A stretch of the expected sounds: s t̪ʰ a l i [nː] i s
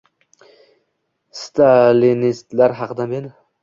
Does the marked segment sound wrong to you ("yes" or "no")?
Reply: yes